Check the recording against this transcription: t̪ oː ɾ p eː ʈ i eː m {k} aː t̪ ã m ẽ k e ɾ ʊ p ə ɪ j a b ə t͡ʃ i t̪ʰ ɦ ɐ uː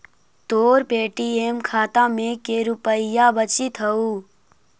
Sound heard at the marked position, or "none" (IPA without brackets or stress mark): kʰ